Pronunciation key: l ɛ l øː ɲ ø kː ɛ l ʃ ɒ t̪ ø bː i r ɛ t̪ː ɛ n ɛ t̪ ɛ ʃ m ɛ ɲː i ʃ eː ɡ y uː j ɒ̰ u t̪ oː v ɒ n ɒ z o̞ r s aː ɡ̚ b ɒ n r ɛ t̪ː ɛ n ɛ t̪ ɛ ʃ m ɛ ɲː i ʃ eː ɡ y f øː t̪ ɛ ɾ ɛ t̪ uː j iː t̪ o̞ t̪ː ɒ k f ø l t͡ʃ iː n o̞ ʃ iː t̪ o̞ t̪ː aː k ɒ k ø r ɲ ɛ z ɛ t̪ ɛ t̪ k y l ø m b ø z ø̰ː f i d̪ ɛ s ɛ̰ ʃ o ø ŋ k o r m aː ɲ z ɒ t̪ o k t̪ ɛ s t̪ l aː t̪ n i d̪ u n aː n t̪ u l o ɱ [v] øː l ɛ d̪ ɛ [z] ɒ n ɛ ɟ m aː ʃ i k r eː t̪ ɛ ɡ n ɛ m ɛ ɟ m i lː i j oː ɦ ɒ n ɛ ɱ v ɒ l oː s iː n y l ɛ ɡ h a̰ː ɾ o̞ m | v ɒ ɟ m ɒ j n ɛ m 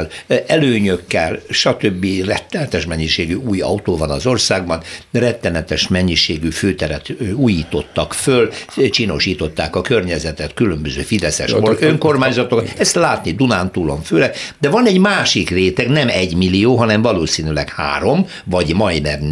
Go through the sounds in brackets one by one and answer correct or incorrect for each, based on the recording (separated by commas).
incorrect, incorrect